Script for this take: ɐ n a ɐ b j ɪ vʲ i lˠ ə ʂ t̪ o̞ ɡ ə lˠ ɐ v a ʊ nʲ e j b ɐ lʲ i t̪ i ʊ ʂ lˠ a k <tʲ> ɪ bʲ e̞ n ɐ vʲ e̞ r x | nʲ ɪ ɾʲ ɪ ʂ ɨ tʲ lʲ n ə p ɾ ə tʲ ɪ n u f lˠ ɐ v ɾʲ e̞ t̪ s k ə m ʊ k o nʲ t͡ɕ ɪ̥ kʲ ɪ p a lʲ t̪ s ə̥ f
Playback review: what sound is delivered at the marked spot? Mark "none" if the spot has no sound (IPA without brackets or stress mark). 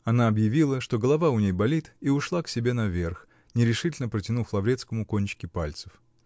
sʲ